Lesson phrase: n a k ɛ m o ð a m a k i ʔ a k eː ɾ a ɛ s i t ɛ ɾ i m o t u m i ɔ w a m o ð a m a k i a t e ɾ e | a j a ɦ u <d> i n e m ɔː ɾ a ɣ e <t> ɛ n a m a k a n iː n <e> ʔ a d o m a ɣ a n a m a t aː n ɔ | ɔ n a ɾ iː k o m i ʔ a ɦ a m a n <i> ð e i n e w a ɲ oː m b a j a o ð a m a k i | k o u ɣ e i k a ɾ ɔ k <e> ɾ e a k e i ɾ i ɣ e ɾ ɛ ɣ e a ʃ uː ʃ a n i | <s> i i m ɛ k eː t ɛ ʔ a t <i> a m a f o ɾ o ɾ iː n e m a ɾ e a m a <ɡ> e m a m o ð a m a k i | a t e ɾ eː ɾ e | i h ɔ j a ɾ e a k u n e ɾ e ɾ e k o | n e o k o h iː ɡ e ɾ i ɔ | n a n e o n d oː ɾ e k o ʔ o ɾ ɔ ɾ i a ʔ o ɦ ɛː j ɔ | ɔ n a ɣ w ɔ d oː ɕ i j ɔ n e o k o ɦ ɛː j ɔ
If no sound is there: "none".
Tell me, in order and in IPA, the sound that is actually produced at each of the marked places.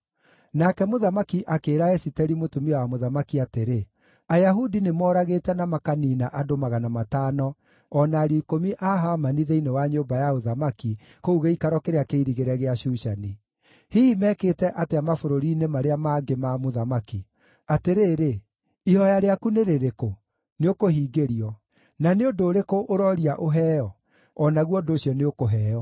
d, t, a, i, e, h, e, ɡ

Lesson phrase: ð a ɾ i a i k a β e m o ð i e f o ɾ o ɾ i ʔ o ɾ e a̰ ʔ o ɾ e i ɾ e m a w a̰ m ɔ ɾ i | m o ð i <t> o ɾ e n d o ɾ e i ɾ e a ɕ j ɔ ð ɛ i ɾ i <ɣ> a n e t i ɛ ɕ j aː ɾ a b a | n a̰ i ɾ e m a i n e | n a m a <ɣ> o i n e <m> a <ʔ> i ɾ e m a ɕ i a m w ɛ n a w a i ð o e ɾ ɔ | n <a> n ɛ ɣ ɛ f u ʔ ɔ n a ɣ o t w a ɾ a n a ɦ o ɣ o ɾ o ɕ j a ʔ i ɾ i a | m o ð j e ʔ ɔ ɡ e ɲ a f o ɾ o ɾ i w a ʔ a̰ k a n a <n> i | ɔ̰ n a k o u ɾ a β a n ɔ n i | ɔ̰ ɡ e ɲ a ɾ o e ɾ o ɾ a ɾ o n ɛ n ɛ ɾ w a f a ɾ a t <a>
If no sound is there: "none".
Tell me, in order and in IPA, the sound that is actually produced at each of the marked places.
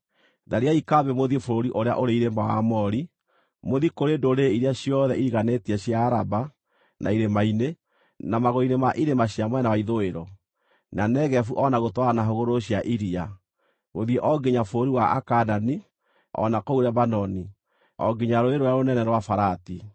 k, ɣ, ɣ, m, ʔ, a, n, i

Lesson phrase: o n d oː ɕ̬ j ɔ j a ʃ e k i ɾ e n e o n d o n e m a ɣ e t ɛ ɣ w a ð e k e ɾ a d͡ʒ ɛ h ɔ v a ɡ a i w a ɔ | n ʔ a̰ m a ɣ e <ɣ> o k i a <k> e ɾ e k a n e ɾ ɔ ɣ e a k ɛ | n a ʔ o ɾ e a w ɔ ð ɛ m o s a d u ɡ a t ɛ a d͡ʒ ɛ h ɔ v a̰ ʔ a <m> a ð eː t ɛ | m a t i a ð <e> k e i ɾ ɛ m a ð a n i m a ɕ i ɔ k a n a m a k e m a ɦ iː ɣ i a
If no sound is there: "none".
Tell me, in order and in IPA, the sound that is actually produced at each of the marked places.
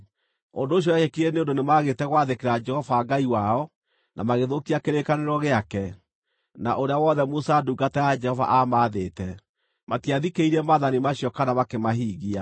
ð, k, m, i

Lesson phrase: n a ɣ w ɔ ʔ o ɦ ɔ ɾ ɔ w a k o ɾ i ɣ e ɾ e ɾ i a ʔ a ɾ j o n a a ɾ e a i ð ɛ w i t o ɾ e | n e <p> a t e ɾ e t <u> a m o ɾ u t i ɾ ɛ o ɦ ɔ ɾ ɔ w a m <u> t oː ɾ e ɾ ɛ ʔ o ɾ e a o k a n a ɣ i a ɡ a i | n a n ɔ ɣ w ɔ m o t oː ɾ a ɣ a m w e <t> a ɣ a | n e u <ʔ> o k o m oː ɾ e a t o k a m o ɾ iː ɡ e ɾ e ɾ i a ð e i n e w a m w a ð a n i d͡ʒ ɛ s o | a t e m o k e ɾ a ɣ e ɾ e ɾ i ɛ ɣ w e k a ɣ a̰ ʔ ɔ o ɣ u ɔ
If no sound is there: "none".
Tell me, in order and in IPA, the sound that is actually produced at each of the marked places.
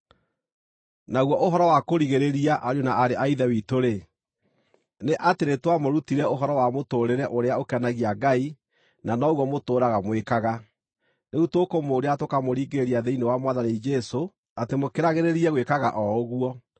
ʔ, w, o, k, t

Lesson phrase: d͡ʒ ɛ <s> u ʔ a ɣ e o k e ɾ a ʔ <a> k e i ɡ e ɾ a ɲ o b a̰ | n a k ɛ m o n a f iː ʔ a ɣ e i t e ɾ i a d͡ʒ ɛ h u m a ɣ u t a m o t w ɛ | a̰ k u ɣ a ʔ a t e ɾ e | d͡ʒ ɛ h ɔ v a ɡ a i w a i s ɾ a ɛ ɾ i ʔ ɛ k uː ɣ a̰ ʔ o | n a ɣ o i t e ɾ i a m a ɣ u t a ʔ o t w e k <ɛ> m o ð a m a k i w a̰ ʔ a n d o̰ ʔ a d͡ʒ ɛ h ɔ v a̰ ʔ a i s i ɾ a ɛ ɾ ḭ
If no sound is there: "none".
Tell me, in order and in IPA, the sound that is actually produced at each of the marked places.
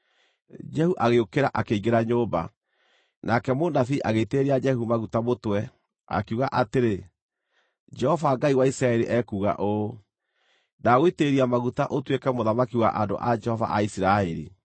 h, a, ɛ

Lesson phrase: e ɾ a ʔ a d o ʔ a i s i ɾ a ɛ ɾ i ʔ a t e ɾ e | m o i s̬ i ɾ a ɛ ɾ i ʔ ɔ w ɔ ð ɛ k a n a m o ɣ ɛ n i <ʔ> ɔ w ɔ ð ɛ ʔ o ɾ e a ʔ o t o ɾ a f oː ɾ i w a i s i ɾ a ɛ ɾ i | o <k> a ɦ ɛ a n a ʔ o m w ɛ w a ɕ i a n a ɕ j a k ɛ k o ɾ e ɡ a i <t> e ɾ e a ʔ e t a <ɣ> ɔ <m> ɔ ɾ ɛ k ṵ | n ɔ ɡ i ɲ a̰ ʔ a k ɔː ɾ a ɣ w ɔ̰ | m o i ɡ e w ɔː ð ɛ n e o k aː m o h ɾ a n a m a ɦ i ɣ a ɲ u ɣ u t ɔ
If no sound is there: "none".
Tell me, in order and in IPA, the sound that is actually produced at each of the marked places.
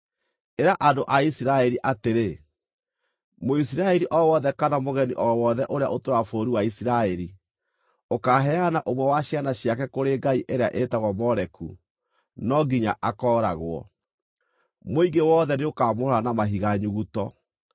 ʔ, k, ʔ, ɣ, m

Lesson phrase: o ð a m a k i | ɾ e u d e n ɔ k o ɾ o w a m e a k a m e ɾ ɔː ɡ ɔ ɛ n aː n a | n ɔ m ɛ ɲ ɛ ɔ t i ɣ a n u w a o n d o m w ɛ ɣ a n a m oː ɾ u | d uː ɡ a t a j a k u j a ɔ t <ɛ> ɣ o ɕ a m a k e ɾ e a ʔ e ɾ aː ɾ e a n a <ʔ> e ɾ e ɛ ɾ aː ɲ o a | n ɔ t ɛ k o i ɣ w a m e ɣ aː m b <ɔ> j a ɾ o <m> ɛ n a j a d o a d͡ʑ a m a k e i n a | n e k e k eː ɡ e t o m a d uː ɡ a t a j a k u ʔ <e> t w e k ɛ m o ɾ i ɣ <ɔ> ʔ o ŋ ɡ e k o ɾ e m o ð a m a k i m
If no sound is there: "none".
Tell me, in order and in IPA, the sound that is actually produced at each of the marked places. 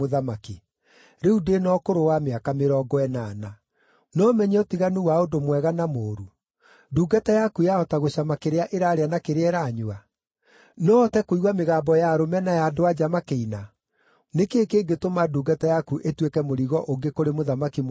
a, k, ɔ, m, e, ɔ

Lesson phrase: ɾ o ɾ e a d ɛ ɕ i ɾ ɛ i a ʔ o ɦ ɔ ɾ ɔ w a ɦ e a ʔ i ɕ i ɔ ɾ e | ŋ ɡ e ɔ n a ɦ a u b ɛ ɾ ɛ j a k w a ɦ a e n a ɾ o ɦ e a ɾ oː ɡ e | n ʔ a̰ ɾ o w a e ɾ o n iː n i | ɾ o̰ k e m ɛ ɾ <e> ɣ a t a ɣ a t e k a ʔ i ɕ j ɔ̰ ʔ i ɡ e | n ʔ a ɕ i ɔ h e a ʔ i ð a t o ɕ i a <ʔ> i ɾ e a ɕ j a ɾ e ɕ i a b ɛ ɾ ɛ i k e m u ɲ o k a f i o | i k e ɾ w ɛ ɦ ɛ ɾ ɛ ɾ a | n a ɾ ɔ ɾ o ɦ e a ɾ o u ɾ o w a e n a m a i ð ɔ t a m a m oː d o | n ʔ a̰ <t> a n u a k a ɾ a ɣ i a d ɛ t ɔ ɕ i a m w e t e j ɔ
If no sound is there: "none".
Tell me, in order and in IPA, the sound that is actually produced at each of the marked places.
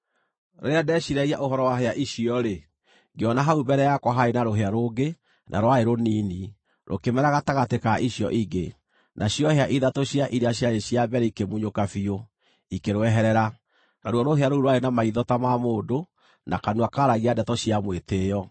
a, ʔ, k

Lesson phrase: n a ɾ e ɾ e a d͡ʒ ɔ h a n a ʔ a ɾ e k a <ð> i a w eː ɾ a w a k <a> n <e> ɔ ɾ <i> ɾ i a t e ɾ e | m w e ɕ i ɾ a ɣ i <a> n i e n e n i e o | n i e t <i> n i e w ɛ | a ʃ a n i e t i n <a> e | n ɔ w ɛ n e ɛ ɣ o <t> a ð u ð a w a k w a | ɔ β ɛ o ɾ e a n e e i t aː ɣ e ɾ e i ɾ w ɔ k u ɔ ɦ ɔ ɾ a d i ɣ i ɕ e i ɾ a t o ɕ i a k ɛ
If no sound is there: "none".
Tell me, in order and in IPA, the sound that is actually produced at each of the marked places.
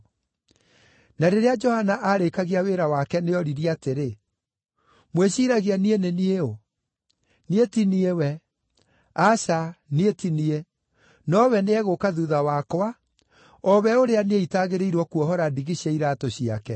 ɣ, ɛ, e, i, a, i, i, k

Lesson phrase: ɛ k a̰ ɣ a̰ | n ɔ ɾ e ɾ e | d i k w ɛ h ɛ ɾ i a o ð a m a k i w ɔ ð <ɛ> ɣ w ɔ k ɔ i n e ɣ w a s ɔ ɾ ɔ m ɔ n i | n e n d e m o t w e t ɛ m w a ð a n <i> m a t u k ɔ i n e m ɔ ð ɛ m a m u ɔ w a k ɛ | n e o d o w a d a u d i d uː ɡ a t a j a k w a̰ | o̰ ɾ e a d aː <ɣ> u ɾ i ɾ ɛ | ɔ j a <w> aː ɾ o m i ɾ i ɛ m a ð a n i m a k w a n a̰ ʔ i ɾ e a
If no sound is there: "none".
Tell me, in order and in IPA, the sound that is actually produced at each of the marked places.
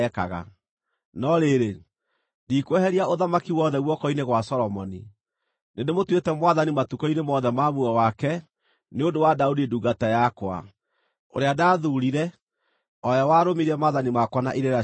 ɛ, i, ð, w

